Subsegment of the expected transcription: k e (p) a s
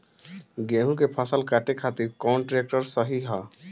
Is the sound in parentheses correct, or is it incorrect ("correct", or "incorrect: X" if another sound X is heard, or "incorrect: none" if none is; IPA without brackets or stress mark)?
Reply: incorrect: pʰ